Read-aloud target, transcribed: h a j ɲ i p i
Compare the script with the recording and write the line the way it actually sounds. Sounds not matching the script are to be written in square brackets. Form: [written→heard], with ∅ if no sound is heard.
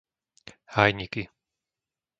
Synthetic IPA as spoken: h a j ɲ i [p→k] i